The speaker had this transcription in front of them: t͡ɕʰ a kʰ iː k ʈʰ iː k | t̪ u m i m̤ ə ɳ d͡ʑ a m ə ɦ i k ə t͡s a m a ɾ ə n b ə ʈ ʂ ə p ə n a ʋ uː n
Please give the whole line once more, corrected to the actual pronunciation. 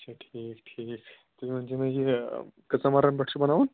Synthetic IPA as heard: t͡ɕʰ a ʈʰ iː k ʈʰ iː k | t̪ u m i m̤ ə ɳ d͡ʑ e m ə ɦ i k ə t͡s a m a ɾ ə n b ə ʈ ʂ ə b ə n a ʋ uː n